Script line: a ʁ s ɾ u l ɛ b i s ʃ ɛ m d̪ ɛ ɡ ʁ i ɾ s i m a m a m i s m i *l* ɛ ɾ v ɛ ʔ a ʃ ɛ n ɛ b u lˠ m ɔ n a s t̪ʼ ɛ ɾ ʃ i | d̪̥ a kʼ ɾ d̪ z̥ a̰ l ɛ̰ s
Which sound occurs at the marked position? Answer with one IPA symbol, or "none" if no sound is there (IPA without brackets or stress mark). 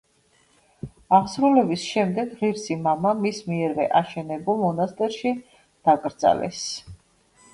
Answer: none